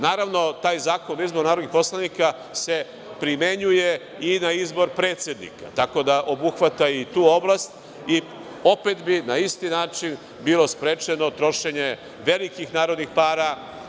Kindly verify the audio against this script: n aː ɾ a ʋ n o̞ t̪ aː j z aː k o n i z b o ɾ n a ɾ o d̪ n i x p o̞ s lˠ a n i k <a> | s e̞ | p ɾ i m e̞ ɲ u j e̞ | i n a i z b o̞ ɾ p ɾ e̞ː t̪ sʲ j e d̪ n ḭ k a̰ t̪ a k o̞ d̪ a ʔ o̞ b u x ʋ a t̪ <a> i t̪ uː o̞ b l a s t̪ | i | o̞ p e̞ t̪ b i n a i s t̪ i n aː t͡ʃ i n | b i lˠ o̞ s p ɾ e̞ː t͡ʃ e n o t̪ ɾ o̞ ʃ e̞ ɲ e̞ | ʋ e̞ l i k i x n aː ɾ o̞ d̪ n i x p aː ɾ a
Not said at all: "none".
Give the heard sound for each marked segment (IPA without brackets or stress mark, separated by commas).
a, a